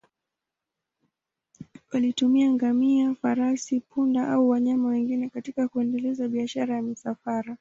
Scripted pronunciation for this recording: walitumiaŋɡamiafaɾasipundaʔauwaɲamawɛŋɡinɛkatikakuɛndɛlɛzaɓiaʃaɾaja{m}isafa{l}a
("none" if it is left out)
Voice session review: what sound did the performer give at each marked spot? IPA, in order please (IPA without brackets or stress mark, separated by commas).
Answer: m, ɾ